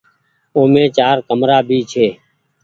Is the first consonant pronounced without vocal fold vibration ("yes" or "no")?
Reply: no